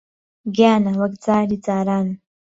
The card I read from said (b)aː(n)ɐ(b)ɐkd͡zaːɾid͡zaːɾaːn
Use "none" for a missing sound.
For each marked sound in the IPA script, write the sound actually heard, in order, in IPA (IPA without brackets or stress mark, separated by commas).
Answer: ɡ, n, w